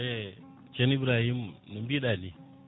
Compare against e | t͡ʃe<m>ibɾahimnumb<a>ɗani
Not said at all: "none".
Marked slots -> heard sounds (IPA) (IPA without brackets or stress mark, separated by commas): n, i